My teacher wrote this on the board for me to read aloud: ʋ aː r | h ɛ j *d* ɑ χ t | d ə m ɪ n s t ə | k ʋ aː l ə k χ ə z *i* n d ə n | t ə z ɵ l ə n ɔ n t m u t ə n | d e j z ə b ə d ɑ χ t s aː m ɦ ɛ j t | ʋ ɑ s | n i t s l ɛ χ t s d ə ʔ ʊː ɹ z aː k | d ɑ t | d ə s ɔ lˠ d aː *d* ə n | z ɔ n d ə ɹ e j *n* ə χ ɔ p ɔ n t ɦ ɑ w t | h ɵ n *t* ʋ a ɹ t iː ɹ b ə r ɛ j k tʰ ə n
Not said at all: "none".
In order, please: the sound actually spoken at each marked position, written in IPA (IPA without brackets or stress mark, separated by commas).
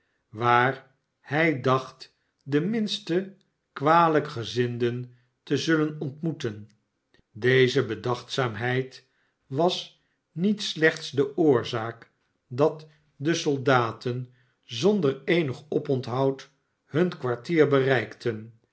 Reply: d, ɪ, t, n, k